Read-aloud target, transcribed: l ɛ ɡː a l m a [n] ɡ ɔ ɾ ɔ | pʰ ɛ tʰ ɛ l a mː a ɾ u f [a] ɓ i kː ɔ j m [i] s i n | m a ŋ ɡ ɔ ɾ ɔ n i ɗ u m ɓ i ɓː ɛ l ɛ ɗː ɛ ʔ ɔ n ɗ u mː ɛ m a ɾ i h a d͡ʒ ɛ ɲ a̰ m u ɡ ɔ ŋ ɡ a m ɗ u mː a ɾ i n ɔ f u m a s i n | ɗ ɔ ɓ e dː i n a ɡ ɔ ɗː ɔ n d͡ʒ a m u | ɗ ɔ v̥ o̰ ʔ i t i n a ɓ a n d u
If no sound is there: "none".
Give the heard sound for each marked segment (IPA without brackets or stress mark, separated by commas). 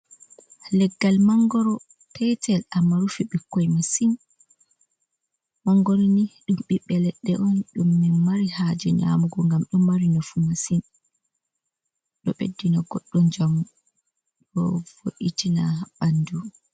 ŋ, i, a